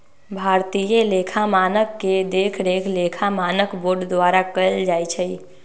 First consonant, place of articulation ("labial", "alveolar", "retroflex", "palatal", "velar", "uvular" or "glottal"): labial